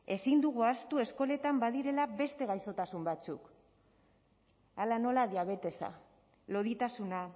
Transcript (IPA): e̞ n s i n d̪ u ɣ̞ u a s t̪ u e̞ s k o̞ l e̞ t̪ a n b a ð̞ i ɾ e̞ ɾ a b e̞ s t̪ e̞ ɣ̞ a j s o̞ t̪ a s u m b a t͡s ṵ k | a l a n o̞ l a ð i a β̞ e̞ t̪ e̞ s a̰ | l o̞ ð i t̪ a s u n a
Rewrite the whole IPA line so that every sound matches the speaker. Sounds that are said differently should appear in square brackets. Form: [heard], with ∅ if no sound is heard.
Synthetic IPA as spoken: e̞ [∅] s i n d̪ u ɣ̞ u a s t̪ u e̞ s k o̞ l e̞ t̪ a [m] b a ð̞ i ɾ e̞ [l] a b e̞ s t̪ e̞ ɣ̞ a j s o̞ t̪ a s u m b a t͡s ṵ k | a l a n o̞ l a ð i a β̞ e̞ t̪ e̞ s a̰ | l o̞ ð i t̪ a s u n a

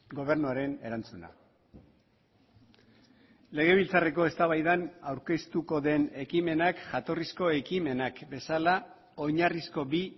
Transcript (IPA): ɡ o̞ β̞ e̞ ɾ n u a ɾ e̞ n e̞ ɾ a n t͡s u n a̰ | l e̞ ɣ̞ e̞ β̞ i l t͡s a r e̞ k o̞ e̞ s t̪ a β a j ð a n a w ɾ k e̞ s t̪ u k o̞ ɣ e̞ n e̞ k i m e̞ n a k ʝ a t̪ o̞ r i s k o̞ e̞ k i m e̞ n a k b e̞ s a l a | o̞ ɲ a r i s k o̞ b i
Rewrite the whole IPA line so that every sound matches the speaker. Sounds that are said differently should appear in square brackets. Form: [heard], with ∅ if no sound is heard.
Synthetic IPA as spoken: ɡ o̞ β̞ e̞ ɾ n u a ɾ e̞ n e̞ ɾ a n t͡s u n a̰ | l e̞ ɣ̞ e̞ β̞ i l t͡s a r e̞ k o̞ e̞ s t̪ a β a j ð a n a w ɾ k e̞ s t̪ u k o̞ [ð] e̞ n e̞ k i m e̞ n a k ʝ a t̪ o̞ r i s k o̞ e̞ k i m e̞ n a k b e̞ s a l a | o̞ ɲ a r i s k o̞ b i

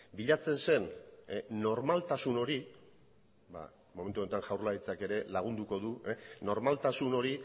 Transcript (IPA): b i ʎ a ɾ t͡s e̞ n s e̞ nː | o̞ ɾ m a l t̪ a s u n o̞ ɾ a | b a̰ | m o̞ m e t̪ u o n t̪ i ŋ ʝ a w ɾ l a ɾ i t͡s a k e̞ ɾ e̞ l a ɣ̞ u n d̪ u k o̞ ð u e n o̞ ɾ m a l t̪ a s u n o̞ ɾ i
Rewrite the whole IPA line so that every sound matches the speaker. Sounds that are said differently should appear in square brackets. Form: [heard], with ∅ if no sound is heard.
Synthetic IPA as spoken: b i ʎ a [∅] t͡s e̞ n s e̞ nː | o̞ ɾ m a l t̪ a s u n o̞ ɾ [i] | b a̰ | m o̞ m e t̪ u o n t̪ [a] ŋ ʝ a w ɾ l a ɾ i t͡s a k e̞ ɾ e̞ l a ɣ̞ u n d̪ u k o̞ ð u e n o̞ ɾ m a l t̪ a s u n o̞ ɾ i

